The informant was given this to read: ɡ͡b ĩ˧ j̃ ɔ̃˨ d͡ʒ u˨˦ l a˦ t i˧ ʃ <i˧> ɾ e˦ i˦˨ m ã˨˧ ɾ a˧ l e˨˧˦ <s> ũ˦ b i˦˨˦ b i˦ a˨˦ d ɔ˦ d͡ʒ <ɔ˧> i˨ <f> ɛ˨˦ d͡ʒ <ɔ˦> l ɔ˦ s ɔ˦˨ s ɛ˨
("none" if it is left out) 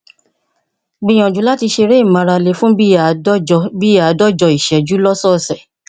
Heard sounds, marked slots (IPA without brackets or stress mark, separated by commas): e˧, f, ɔ˧, ʃ, u˦